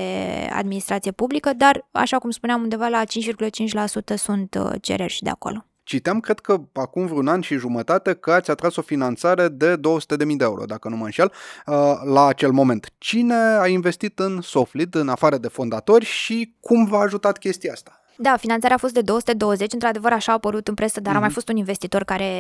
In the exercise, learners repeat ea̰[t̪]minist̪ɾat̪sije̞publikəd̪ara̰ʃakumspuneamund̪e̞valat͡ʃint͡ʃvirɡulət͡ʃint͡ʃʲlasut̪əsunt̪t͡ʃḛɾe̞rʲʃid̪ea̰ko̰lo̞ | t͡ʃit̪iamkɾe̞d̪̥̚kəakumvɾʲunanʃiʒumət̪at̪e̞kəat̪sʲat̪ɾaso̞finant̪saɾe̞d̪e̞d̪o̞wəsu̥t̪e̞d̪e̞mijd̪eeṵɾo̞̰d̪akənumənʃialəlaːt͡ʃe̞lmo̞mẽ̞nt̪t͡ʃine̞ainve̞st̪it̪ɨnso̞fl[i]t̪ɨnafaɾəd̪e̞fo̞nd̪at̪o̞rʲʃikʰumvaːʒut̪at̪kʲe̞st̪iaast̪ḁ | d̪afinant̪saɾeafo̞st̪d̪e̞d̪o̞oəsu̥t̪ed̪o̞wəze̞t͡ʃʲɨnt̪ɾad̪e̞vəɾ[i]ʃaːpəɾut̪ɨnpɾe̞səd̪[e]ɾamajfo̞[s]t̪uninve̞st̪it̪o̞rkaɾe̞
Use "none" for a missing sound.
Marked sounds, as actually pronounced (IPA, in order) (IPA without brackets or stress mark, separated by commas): d̪, i, a, a, s